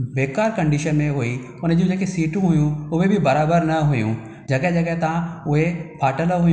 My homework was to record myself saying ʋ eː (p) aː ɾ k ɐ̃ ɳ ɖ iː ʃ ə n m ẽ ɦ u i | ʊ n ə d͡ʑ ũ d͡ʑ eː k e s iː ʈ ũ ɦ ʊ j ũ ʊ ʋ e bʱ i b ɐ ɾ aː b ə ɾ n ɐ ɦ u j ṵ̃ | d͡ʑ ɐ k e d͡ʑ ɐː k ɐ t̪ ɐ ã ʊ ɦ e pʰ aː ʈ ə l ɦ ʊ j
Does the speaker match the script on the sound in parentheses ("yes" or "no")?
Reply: no